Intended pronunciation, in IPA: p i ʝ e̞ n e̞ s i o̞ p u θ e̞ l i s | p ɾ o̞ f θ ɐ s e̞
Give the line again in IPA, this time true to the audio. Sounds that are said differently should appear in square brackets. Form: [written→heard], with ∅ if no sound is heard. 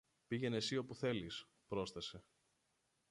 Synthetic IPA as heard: p i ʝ e̞ n e̞ s i o̞ p u θ e̞ l i s | p ɾ o̞ [f→s] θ ɐ s e̞

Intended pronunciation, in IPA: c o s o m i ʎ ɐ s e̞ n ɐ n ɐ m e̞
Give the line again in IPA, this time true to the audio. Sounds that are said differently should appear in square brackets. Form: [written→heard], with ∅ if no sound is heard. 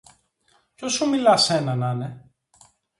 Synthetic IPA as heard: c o s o m i [ʎ→l] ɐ s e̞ n ɐ n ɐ [m→n] e̞

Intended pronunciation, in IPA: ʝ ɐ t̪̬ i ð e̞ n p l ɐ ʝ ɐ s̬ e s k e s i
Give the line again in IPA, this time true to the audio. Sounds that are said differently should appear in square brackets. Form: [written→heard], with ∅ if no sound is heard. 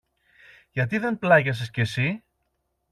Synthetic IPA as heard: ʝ ɐ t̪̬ i ð e̞ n p l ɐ ʝ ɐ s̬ e s [k→c] e s i

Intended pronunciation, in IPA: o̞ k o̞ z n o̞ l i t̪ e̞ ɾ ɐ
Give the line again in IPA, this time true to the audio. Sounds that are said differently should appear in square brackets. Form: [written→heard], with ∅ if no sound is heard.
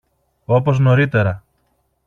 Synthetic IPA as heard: o̞ [k→p] o̞ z n o̞ [l→ɾ] i t̪ e̞ ɾ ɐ

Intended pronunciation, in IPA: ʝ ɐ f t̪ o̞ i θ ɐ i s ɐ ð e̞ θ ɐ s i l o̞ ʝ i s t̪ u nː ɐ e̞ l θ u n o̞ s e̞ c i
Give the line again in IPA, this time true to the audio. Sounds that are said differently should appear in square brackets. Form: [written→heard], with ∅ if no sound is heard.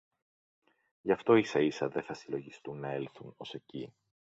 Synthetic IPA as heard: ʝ ɐ f t̪ o̞ i [θ→s] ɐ i s ɐ ð e̞ θ ɐ s i l o̞ ʝ i s t̪ u nː ɐ e̞ l θ u n o̞ s e̞ c i

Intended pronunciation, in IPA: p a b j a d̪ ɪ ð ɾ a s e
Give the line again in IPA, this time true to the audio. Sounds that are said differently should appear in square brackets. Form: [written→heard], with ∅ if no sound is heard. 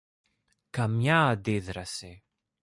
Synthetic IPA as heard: [p→k] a [b→m] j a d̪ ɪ ð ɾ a s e

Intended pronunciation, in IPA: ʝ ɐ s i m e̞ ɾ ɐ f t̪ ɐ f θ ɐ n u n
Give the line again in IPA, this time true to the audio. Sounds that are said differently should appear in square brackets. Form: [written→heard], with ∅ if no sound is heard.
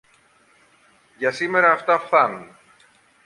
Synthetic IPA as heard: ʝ ɐ s i m e̞ ɾ [ɐ→ɐː] f t̪ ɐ f θ ɐ n u n

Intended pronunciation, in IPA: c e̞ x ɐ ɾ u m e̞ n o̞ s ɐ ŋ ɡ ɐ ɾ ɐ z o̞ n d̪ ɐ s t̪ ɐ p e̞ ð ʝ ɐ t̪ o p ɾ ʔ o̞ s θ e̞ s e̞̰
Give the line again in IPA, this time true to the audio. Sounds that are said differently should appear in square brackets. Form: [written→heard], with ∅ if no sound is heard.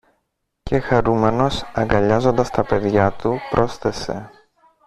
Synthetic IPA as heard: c e̞ x ɐ ɾ u m e̞ n o̞ s ɐ ŋ ɡ ɐ [ɾ→ʎ] ɐ z o̞ n d̪ ɐ s t̪ ɐ p e̞ ð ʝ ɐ t̪ [o→u] p ɾ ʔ o̞ s θ e̞ s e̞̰

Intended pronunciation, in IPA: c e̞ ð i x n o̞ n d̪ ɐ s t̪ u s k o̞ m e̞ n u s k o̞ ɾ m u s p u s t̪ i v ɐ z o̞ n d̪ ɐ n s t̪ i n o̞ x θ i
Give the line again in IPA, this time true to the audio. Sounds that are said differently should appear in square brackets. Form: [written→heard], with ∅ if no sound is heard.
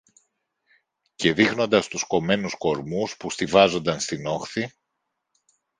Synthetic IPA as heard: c e̞ ð i x n o̞ n d̪ ɐ s t̪ u s k o̞ m e̞ n u s k o̞ ɾ m u s p u s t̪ i v ɐ z o̞ n d̪ ɐ n s t̪ i n o̞ x θ i

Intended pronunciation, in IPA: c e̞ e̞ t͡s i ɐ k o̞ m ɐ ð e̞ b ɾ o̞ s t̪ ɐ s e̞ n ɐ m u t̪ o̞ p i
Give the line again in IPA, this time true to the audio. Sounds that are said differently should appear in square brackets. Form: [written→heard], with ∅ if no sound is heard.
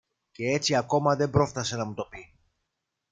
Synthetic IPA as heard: c e̞ e̞ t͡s i ɐ k o̞ m ɐ ð e̞ b ɾ o̞ [s→f] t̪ ɐ s e̞ n ɐ m u t̪ o̞ p i

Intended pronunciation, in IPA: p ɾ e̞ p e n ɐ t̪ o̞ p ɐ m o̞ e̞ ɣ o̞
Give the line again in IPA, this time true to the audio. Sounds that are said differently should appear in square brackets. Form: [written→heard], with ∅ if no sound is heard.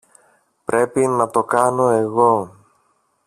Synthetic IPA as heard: p ɾ e̞ p [e→i] n ɐ t̪ o̞ [p→k] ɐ [m→n] o̞ e̞ ɣ o̞

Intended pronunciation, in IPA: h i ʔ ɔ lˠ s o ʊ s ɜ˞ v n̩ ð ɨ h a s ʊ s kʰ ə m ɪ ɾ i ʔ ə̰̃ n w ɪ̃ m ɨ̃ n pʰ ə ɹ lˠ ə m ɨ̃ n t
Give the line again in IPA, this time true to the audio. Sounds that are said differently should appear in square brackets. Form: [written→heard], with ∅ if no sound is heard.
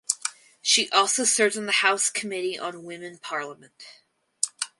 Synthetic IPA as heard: [h→ʃ] i ʔ ɔ lˠ s o ʊ s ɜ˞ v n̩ ð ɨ h a [s→∅] ʊ s kʰ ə m ɪ ɾ i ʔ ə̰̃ n w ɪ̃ m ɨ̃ n pʰ [ə→ɑ] ɹ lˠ ə m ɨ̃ n t

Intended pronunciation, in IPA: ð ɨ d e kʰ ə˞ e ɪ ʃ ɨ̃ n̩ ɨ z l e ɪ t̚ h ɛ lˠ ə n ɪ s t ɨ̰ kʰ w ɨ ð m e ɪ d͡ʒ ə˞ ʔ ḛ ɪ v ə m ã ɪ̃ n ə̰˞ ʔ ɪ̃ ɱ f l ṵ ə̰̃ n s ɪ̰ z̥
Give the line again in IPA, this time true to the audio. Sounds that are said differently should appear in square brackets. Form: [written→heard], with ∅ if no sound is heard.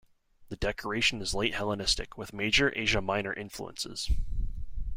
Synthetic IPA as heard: ð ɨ d [e→ɛ] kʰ ə˞ e ɪ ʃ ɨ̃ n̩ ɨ z l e ɪ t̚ h ɛ lˠ ə n ɪ s t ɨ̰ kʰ w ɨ ð m e ɪ d͡ʒ ə˞ ʔ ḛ ɪ [v→ʒ] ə m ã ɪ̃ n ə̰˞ ʔ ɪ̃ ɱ f l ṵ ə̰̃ n s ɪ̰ z̥

